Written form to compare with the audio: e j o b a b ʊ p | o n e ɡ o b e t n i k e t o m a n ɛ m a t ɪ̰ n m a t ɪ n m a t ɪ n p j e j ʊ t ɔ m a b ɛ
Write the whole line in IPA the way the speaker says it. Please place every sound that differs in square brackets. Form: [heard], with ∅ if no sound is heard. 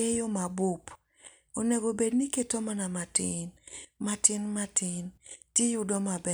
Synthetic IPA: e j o [m] a b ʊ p | o n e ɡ o b e [d] n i k e t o m a n [a] m a t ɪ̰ n m a t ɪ n m a t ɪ n [t] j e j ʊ [d] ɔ m a b ɛ

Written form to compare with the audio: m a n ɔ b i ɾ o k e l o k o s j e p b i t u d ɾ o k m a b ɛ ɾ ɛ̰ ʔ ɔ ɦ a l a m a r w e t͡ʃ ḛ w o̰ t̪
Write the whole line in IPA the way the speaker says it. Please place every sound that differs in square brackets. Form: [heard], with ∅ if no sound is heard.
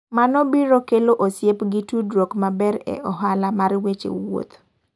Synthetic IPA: m a n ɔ b i ɾ o k e l o [ʔ] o s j e p [ɡ] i t u d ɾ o k m a b ɛ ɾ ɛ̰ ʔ ɔ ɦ a l a m a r w e t͡ʃ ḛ w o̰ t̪

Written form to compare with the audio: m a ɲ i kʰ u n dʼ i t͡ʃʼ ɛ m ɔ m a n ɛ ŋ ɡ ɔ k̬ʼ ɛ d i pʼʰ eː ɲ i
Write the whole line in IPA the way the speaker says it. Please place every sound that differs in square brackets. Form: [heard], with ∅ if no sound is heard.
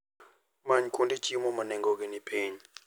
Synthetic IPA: m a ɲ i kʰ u n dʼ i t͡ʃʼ [i] m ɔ m a n ɛ ŋ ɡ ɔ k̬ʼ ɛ [n] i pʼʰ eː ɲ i

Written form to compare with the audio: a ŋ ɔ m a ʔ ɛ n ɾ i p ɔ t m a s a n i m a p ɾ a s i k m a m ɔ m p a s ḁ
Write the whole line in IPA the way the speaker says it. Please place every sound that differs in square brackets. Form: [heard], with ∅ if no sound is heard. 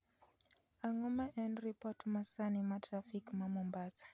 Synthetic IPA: a ŋ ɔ m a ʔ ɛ n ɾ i p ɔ t m a s a n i m a [t] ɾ a [f] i k m a m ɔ m [b] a s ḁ

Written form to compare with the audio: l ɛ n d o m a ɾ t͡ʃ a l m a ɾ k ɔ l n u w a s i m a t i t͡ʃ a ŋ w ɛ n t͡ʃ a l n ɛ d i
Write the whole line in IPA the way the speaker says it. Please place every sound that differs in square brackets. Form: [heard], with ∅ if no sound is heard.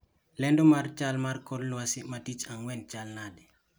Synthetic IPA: l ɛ n d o m a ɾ t͡ʃ a l m a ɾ k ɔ l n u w a s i m a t i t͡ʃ a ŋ w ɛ n t͡ʃ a l n [a] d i

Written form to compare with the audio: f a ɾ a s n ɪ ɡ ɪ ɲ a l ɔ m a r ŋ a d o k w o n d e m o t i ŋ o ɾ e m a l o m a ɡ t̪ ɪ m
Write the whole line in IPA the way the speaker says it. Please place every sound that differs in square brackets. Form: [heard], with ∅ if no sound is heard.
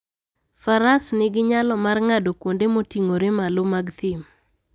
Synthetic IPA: f a ɾ a s n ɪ ɡ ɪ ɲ a l ɔ m a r ŋ a d o k w o n d e m o t i ŋ o ɾ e m a l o m a ɡ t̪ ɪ m

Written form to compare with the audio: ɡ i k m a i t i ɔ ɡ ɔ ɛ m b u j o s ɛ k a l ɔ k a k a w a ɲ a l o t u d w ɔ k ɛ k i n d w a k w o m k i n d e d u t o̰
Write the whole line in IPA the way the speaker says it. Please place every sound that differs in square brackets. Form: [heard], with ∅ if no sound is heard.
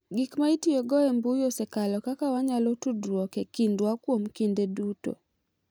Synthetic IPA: ɡ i k m a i t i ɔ ɡ ɔ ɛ m b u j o s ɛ k a l ɔ k a k a w a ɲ a l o t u d w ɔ k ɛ k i n d w a k w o m k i n d e d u t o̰

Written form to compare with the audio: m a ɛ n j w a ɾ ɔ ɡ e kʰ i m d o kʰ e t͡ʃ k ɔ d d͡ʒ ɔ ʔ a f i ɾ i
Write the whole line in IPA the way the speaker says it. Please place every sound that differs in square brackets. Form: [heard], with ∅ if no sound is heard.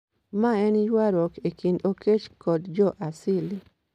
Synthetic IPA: m a ɛ n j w a ɾ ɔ [k] e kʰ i [n] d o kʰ e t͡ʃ k ɔ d d͡ʒ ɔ ʔ a [s] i [l] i

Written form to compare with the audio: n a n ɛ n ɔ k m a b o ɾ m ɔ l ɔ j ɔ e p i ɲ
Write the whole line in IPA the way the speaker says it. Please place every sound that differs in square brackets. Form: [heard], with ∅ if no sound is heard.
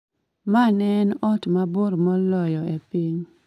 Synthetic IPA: [m] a n ɛ n ɔ [t] m a b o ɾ m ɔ l ɔ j ɔ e p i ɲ

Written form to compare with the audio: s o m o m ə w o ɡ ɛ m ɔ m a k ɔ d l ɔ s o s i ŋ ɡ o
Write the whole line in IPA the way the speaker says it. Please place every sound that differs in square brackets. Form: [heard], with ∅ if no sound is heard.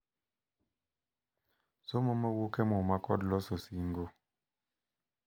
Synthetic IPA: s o m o m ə w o [k] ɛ m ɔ m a k ɔ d l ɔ s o s i ŋ ɡ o

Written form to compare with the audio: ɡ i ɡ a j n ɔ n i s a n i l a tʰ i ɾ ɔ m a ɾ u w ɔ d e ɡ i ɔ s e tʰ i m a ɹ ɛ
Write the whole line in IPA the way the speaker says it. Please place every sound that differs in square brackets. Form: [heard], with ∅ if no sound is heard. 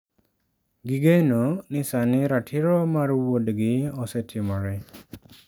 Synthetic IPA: ɡ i ɡ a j n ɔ n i s a n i [ɾ] a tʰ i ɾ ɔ m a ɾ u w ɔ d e ɡ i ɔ s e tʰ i m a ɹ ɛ

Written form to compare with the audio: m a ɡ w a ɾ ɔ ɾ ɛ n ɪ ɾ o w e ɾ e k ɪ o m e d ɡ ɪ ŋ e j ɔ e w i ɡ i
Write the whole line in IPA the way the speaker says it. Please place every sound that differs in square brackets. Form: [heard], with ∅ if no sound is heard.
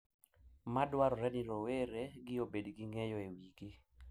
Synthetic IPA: m a [d] w a ɾ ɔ ɾ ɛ n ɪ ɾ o w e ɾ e [ɡ] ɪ o [b] e d ɡ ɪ ŋ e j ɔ e w i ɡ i

